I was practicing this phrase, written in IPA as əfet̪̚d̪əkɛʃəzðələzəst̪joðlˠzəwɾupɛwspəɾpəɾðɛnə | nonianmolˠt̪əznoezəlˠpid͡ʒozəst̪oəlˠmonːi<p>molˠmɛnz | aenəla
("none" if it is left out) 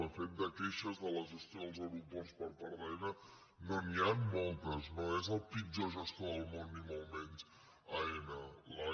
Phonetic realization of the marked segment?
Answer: none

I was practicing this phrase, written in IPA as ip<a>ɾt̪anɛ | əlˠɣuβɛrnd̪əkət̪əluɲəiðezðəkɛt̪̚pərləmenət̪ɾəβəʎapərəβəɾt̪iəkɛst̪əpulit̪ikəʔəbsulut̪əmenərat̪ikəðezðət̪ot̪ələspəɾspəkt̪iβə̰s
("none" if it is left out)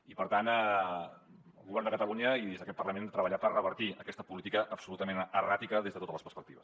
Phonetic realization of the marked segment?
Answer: ə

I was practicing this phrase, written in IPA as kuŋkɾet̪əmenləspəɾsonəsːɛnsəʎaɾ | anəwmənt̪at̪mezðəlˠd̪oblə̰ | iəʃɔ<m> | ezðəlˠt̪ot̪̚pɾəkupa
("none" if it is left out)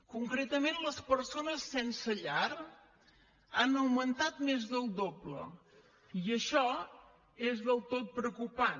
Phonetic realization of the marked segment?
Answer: none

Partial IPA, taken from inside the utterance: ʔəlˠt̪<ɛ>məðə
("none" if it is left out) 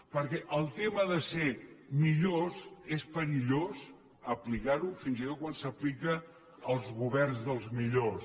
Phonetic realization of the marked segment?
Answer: e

